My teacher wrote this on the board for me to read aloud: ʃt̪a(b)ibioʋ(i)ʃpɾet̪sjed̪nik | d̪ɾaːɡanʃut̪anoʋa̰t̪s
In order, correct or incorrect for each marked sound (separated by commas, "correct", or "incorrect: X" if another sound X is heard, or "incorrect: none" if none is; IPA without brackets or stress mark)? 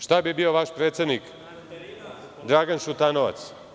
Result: correct, incorrect: a